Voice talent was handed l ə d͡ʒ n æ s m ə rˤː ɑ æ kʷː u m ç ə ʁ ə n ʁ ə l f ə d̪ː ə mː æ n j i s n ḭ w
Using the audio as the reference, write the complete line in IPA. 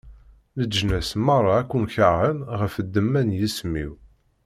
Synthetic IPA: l ə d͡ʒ n æ s m ɑ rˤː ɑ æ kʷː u m ç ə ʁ ə n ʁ ə f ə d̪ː ə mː æ n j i s m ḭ w